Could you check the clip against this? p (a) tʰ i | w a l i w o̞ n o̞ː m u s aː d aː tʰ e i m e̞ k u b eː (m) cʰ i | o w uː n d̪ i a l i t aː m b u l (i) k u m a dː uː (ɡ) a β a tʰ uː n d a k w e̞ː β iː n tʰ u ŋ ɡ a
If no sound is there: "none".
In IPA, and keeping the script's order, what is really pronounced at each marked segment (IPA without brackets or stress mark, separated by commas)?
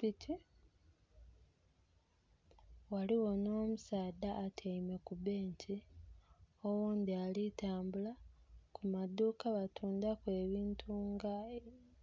i, ɲ, a, k